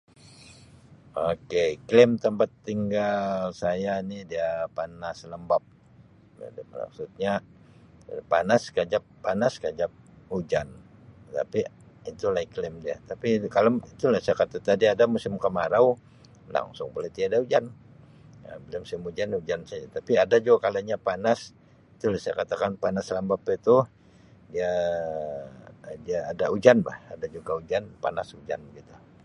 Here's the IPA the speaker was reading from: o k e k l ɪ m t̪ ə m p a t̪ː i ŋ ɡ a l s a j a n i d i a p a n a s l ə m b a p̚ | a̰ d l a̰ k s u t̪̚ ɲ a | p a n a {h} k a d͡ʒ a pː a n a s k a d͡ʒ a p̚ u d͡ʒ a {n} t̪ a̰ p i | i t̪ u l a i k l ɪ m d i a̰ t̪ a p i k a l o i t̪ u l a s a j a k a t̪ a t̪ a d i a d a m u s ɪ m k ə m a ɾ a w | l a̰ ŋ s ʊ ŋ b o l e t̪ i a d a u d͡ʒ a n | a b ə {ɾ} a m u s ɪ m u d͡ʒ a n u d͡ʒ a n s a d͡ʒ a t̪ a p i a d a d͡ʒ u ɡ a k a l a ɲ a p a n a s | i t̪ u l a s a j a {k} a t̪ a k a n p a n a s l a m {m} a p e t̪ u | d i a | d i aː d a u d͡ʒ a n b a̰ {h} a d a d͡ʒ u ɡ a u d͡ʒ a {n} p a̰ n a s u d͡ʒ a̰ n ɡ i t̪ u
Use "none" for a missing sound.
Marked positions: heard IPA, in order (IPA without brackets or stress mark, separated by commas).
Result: s, n, l, k, b, h, n